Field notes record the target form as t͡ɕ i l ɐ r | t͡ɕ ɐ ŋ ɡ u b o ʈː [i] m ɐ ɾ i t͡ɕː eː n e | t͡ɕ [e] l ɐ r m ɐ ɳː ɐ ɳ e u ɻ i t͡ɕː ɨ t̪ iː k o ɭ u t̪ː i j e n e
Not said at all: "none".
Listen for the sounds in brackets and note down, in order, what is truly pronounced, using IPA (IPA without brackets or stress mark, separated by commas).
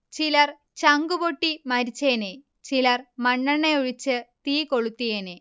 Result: i, i